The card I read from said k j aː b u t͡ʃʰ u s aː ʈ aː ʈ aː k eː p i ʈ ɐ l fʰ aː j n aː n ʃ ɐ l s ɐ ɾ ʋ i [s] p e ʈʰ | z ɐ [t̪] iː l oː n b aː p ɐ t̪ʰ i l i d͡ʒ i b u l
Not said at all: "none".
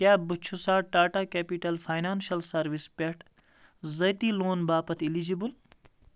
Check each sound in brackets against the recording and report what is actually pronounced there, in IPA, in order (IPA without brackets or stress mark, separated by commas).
s, t̪